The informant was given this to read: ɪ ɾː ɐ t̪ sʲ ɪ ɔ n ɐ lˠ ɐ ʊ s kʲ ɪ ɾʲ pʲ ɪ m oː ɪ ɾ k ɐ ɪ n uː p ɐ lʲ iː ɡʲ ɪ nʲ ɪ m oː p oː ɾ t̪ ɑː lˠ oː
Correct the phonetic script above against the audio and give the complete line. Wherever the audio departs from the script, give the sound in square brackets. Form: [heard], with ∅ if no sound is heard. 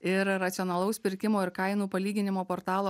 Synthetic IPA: ɪ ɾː ɐ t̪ sʲ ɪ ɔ n ɐ lˠ ɐ ʊ s [pʲ] ɪ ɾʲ [kʲ] ɪ m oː ɪ ɾ k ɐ ɪ n uː p ɐ lʲ iː ɡʲ ɪ nʲ ɪ m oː p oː ɾ t̪ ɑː lˠ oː